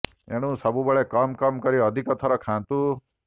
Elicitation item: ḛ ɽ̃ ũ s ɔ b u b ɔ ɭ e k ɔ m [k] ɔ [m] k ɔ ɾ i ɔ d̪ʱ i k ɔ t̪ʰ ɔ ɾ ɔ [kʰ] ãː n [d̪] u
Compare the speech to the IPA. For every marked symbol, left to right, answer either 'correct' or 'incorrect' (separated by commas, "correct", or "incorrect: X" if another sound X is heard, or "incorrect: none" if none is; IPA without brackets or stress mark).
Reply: correct, correct, correct, incorrect: t̪